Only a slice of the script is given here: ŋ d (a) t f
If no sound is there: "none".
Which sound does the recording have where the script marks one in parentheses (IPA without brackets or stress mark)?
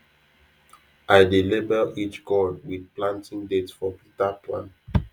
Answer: e